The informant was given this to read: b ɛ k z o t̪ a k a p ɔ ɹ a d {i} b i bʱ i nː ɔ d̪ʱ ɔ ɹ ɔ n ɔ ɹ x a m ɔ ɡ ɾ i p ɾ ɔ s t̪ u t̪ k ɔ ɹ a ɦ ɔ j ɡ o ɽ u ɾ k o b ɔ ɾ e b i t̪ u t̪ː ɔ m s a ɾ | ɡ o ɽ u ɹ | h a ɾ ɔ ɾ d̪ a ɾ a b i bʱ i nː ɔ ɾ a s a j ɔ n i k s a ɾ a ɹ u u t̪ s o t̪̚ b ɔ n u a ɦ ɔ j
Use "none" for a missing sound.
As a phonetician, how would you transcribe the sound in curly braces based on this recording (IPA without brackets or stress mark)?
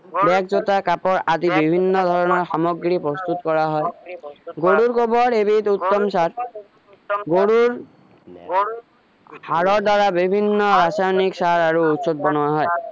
i